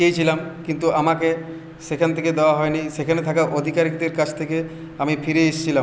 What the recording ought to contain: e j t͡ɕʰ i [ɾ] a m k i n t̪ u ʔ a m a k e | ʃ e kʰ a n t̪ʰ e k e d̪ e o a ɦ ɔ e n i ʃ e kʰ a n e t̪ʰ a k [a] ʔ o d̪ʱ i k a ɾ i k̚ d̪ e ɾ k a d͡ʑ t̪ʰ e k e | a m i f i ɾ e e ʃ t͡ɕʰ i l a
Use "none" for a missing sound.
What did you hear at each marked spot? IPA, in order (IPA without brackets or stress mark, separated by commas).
l, a